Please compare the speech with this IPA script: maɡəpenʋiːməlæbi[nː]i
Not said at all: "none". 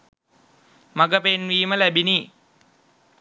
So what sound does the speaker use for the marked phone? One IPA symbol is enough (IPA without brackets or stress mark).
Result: n